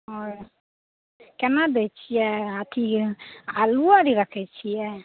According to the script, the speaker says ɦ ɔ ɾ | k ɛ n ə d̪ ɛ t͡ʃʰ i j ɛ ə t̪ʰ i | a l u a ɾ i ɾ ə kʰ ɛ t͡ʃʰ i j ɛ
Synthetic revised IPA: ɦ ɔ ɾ | k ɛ n a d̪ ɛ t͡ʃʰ i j ɛ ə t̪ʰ i | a l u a ɾ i ɾ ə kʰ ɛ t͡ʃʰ i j ɛ